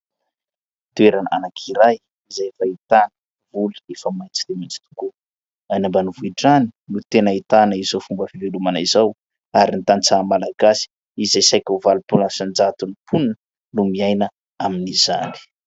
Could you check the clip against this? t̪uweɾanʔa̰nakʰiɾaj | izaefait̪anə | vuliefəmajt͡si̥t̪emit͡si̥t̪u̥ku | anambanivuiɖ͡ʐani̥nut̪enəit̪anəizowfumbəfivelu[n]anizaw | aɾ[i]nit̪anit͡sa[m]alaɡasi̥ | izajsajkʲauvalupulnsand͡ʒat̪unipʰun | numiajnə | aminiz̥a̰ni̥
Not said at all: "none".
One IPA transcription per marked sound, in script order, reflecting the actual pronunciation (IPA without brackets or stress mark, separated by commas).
m, i, m